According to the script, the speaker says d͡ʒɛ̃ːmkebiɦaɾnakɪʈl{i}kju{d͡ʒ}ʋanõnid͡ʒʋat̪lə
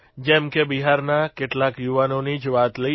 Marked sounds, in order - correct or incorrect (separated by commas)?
incorrect, incorrect